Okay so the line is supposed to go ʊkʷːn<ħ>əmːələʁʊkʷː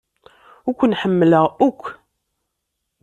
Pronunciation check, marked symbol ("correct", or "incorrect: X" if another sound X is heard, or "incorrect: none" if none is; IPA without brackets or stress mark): correct